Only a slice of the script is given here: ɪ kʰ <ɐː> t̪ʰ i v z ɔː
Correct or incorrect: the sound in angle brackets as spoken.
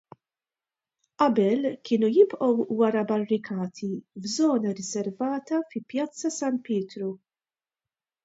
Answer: correct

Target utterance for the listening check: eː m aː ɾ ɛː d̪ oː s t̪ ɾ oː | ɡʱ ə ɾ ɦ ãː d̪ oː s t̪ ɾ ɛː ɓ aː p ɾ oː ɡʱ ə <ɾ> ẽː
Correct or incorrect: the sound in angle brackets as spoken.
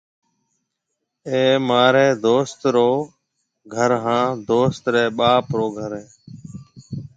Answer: correct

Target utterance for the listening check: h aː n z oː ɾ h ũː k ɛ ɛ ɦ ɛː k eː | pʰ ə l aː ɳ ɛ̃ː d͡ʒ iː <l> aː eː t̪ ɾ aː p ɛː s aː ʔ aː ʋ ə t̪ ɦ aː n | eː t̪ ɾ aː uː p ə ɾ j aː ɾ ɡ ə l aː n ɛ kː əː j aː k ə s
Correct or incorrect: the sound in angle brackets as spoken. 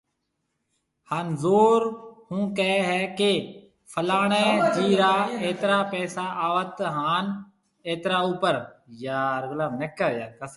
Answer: incorrect: ɾ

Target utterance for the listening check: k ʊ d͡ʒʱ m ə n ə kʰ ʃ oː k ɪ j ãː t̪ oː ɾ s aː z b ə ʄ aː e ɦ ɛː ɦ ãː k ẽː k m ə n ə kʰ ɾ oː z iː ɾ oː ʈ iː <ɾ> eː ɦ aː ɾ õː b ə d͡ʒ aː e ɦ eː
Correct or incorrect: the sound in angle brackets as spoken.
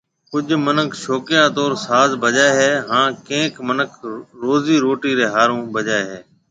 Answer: correct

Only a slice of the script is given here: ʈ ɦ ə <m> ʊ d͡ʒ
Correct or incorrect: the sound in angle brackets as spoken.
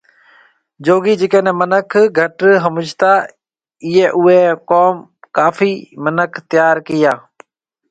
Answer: correct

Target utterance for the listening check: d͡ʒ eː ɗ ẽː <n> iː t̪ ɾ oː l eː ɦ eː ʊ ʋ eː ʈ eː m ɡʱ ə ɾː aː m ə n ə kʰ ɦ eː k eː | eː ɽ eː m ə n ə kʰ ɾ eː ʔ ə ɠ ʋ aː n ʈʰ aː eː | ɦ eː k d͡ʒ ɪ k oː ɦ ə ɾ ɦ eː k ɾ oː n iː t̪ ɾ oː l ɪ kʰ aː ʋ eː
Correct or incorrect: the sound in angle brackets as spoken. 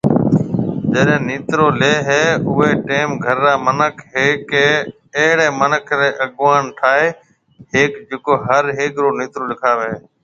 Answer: correct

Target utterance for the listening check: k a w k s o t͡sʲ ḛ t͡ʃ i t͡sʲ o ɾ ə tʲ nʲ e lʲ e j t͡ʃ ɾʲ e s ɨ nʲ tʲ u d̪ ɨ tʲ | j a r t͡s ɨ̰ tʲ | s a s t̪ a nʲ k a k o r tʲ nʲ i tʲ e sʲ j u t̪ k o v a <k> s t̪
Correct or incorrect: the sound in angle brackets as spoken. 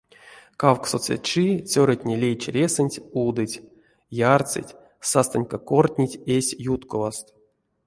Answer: incorrect: none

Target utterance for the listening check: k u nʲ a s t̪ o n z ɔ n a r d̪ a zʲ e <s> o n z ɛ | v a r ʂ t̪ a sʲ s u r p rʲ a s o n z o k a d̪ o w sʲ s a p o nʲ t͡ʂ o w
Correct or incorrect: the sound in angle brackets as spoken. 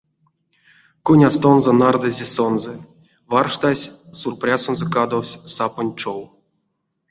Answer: correct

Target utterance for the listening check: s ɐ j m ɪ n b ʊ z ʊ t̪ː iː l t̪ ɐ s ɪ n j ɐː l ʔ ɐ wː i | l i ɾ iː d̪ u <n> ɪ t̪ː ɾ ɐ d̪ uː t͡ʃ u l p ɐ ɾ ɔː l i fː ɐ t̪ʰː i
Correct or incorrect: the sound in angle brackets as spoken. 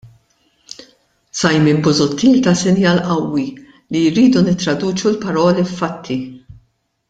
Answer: correct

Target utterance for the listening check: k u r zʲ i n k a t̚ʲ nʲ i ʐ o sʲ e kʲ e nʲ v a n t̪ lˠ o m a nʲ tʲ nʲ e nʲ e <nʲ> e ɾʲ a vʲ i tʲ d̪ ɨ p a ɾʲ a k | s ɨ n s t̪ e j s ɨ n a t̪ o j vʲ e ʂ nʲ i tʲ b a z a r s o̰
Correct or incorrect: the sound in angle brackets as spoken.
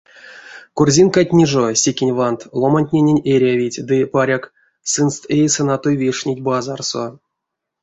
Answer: correct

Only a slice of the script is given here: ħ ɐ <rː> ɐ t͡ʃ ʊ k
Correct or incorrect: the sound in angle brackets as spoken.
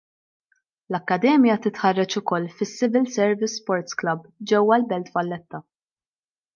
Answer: correct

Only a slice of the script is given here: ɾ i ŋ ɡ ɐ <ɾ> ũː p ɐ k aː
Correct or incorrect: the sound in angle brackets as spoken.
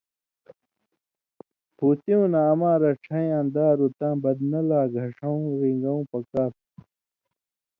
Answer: incorrect: none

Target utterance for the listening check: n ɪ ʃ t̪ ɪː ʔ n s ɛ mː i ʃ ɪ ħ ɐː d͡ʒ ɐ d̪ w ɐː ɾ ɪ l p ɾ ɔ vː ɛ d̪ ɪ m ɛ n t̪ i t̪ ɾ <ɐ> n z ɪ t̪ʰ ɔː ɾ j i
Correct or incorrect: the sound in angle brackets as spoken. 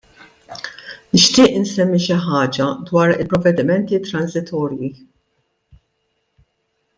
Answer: correct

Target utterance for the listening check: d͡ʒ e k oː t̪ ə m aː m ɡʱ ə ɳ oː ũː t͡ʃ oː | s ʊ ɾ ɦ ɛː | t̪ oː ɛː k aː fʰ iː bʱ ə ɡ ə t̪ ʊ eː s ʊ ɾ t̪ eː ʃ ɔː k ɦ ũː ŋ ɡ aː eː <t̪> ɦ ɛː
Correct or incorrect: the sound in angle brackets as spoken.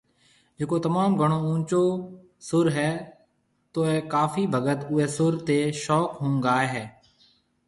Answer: incorrect: none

